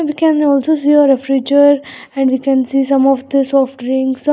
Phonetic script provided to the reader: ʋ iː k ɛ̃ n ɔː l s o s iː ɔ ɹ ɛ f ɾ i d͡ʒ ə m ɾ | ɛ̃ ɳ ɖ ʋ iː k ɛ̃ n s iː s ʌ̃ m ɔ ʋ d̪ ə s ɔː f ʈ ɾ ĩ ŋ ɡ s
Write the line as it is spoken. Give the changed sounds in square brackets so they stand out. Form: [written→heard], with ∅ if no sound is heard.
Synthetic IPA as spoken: ʋ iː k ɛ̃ n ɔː l s o s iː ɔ [ɹ→ɾ] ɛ f ɾ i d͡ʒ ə [m→∅] ɾ | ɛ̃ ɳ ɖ ʋ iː k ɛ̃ n s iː s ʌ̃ m ɔ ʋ d̪ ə s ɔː f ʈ ɾ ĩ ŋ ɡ s